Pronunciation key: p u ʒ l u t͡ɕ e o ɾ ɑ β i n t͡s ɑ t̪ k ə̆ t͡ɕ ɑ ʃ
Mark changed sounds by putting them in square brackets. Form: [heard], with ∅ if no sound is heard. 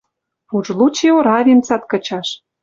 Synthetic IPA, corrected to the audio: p u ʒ l u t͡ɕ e o ɾ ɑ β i n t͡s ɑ t̪ k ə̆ t͡ɕ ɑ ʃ